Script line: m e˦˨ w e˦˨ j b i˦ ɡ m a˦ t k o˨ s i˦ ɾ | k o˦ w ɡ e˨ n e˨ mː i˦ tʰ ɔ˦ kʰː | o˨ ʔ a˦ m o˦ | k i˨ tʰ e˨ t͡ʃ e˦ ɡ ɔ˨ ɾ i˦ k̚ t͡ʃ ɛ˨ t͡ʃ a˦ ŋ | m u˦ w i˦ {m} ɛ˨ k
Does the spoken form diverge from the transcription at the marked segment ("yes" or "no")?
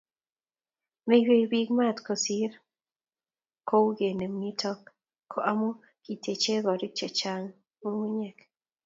yes